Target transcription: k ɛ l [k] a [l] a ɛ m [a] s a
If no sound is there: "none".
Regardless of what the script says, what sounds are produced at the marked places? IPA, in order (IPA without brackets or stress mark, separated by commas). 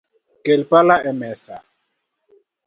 p, l, ɛ